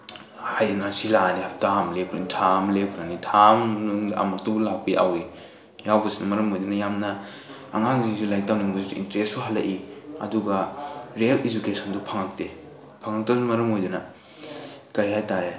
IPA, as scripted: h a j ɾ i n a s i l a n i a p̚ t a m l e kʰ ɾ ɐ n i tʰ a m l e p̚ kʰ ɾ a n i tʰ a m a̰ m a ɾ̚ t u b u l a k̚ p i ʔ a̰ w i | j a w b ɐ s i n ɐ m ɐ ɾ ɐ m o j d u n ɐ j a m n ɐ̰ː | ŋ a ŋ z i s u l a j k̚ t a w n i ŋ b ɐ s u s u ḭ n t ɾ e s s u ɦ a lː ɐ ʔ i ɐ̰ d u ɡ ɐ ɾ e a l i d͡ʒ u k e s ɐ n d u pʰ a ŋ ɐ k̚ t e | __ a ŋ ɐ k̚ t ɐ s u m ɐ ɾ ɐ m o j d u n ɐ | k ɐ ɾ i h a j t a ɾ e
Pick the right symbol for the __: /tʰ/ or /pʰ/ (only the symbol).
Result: pʰ